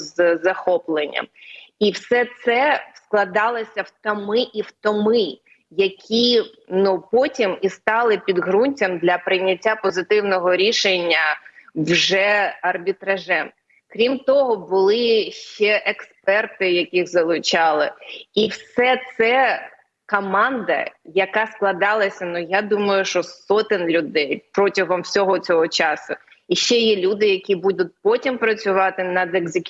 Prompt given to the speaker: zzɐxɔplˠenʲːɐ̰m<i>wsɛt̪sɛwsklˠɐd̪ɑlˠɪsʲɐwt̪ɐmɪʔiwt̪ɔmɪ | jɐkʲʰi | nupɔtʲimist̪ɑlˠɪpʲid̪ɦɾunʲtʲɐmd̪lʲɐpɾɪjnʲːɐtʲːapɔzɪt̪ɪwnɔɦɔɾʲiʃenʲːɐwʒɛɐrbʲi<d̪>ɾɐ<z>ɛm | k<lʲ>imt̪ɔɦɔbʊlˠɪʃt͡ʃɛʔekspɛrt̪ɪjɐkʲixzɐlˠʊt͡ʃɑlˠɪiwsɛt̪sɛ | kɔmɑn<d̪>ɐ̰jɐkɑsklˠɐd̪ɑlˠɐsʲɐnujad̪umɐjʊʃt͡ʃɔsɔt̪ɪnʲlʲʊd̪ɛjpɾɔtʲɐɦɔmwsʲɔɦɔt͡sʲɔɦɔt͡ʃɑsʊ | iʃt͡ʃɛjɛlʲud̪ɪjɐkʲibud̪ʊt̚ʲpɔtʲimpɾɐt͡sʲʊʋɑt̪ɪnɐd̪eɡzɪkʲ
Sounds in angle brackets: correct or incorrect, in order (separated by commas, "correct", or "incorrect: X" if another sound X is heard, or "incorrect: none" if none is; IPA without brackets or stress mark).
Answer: correct, incorrect: t̪, incorrect: ʒ, incorrect: ɾʲ, correct